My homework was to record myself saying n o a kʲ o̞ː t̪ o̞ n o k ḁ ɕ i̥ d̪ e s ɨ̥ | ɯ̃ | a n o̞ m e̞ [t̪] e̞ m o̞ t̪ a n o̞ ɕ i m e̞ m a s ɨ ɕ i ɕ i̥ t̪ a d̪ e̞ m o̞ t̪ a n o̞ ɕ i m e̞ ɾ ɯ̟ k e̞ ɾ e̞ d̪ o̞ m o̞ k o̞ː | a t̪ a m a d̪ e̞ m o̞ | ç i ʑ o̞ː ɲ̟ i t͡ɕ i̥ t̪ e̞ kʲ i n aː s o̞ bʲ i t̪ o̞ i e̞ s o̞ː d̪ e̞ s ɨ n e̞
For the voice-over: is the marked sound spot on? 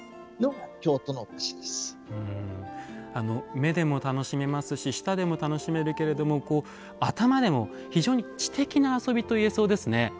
no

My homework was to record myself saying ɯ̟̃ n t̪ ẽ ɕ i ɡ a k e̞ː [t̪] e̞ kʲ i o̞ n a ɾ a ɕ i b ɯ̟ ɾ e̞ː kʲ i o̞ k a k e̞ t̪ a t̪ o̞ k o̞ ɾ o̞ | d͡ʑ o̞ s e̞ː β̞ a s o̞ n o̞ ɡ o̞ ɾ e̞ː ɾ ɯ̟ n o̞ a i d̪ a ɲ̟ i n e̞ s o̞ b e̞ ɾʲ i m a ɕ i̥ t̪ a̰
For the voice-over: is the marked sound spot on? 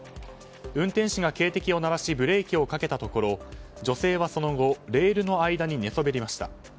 yes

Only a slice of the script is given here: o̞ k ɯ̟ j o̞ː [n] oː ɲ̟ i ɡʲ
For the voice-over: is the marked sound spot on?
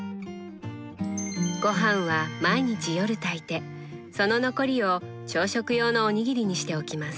yes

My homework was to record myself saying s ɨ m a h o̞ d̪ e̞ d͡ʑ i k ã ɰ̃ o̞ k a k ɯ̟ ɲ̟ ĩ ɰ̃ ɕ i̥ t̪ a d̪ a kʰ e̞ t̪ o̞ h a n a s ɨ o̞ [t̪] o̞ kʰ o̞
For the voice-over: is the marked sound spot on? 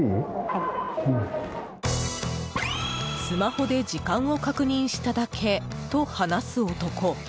yes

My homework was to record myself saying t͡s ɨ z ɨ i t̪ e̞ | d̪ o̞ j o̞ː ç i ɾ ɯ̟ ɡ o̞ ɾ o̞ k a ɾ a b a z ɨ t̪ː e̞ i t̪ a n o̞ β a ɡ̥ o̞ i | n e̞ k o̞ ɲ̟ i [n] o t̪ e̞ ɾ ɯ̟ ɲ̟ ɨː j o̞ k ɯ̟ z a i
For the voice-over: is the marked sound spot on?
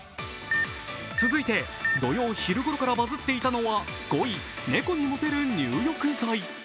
no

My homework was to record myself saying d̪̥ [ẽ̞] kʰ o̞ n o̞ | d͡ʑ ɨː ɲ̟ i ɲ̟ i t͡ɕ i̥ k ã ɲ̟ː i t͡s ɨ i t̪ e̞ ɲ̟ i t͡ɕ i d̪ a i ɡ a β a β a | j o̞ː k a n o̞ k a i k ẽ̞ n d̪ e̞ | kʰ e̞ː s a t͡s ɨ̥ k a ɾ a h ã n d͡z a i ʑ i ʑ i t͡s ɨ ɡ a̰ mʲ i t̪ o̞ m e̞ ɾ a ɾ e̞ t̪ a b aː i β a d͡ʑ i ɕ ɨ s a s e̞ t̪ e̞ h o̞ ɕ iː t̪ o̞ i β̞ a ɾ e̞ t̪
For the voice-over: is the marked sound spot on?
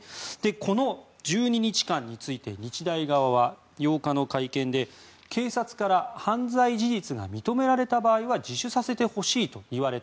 no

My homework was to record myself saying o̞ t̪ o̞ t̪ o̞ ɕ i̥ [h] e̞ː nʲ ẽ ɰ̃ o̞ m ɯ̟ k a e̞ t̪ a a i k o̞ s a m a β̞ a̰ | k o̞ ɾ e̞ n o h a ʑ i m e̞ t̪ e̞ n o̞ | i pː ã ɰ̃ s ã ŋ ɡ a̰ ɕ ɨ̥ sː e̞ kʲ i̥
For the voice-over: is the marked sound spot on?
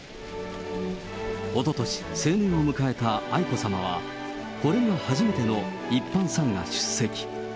no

